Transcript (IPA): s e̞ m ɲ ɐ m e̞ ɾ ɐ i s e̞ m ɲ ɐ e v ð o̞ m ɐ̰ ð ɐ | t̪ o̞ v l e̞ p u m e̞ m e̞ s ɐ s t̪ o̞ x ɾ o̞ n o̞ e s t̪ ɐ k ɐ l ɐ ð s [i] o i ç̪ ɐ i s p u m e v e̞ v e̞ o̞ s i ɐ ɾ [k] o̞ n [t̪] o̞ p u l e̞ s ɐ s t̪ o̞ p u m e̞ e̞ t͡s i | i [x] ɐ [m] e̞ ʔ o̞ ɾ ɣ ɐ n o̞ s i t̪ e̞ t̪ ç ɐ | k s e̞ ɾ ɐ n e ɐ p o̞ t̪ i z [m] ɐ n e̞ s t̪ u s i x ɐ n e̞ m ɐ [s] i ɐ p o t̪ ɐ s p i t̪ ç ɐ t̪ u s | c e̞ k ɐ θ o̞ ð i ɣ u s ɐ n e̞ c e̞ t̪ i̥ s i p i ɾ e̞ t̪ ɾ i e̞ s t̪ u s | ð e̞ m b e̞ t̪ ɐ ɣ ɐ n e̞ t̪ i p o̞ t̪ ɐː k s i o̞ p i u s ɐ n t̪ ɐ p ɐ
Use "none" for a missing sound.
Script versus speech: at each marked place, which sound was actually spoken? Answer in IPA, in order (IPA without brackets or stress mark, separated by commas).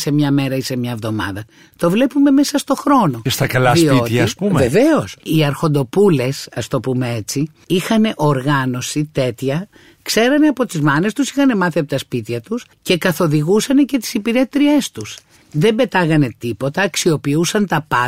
i, x, d̪, x, n, m, θ